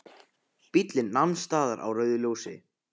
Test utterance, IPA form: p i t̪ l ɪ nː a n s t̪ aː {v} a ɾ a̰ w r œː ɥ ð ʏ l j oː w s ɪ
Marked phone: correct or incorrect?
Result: incorrect